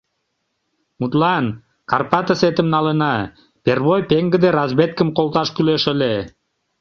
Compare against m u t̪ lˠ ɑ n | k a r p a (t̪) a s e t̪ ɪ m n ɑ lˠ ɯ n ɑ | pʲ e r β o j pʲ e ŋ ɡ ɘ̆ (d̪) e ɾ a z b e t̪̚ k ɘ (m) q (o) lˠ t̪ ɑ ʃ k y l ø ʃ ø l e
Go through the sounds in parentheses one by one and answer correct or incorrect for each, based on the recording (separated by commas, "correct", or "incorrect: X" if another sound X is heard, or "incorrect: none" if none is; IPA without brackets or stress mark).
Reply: correct, correct, correct, correct